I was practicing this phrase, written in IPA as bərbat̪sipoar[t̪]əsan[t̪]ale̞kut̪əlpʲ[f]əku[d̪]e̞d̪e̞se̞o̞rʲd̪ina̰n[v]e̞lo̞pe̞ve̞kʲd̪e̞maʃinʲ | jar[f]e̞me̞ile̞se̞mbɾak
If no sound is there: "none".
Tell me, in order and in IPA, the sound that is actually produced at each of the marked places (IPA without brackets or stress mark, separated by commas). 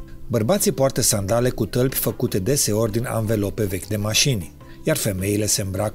t̪, d̪, f, t̪, v, f